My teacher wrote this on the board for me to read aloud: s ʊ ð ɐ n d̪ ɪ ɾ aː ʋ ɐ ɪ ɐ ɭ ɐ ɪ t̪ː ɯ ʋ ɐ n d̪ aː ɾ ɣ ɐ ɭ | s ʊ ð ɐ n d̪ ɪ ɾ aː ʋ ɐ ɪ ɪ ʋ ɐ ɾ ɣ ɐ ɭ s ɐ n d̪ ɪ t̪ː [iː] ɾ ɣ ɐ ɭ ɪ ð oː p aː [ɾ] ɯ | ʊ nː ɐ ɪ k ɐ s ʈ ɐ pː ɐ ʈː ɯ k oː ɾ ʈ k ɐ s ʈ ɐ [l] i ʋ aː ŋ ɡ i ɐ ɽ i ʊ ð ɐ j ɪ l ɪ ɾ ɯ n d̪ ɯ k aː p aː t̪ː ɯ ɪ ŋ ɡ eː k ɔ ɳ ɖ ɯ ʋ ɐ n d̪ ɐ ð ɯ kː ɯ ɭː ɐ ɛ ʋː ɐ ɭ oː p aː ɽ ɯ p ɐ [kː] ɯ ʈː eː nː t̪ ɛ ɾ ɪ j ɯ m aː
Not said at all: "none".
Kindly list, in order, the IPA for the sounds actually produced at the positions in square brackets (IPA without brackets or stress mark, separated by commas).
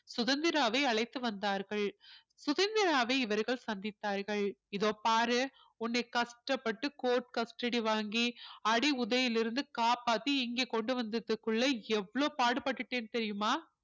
aː, ɾ, ɽ, ʈː